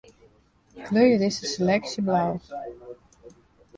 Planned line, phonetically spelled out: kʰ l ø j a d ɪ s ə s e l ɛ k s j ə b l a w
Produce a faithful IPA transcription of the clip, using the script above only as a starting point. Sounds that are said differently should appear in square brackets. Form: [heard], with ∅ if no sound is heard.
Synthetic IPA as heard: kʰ l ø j [ə] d ɪ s ə s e l ɛ k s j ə b l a w

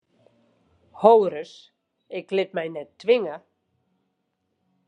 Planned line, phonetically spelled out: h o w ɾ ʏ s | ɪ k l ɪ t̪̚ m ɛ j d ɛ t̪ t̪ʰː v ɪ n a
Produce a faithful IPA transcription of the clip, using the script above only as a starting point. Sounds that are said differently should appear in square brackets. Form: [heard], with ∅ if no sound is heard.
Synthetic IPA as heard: h o w ɾ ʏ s | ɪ k l ɪ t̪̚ m [a] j [n] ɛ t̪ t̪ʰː v ɪ [ŋ] a

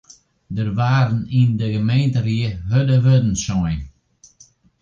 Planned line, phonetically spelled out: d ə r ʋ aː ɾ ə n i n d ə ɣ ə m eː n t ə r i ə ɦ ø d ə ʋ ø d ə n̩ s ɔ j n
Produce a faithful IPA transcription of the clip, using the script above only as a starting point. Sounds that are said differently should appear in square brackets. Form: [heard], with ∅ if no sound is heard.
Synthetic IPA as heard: d ə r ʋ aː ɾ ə n i n d ə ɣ ə m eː n t ə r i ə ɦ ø d ə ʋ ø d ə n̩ s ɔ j n

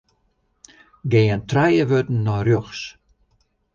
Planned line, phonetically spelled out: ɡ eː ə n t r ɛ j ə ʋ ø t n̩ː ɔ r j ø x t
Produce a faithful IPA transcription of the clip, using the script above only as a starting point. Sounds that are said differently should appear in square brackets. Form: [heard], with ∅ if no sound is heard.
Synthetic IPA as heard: ɡ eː ə n t r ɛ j ə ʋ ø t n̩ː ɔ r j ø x [s]

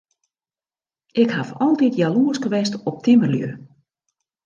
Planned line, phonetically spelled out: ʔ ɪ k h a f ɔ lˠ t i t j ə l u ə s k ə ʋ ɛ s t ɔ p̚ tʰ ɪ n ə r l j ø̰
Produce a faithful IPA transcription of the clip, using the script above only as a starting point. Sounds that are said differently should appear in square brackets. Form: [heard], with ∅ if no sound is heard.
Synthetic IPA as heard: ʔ ɪ k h a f ɔ lˠ t i t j [a] l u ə s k ə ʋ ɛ s t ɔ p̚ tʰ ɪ [m] ə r l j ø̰

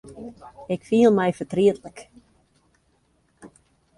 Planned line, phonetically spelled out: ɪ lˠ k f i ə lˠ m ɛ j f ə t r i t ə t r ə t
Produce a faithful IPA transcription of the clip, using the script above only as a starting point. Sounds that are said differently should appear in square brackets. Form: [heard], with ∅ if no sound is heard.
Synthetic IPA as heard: ɪ [∅] k f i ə lˠ m ɛ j f ə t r i [∅] ə t [l] ə [k]

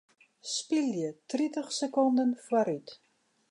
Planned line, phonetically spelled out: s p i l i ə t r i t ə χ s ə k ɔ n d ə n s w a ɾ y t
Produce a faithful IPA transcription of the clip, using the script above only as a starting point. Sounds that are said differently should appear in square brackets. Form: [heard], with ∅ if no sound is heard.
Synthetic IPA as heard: s p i l [j] ə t r i t ə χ s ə k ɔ n d ə n [f] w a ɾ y t

